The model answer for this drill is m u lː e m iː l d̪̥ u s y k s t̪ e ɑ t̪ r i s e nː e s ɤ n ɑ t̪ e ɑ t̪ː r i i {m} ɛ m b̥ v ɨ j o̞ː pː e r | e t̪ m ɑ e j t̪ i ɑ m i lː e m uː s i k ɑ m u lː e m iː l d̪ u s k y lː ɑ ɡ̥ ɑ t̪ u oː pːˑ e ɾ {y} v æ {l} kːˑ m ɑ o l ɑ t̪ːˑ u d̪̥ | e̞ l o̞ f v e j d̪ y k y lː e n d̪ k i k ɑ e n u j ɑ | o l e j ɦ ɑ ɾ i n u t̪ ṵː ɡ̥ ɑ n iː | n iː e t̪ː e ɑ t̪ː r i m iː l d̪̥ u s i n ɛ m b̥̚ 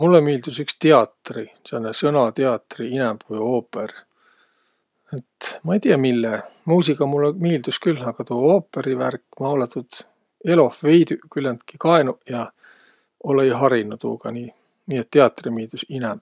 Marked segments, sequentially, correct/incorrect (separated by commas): incorrect, incorrect, incorrect